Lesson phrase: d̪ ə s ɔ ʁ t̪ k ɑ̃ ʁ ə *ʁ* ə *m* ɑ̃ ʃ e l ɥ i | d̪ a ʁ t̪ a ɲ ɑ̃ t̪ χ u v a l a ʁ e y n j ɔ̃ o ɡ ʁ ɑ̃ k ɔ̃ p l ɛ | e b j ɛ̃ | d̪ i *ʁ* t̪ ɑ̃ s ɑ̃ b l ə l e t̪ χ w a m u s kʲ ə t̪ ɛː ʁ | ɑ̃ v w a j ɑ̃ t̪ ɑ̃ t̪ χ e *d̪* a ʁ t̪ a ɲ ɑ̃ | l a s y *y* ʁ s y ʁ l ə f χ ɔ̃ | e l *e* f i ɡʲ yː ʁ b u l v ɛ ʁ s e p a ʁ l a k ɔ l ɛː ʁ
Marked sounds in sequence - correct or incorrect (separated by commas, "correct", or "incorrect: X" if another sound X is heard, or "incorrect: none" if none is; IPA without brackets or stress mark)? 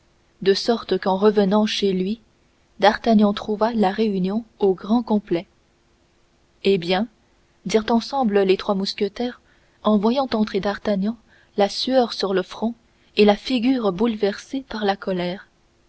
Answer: incorrect: v, incorrect: n, correct, correct, incorrect: œ, incorrect: a